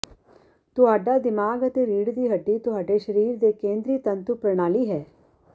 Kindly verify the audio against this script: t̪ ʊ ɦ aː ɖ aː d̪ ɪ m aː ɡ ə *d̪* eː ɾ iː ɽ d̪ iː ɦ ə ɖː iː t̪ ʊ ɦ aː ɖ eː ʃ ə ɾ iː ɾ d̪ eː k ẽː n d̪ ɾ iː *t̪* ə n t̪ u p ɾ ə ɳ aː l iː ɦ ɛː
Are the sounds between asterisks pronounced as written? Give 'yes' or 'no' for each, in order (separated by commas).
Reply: no, yes